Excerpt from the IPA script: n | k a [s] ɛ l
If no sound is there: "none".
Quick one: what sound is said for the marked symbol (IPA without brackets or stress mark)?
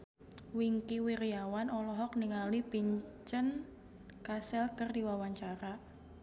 s